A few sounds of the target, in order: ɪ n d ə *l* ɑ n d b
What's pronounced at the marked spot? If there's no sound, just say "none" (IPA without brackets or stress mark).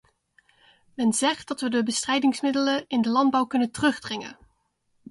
l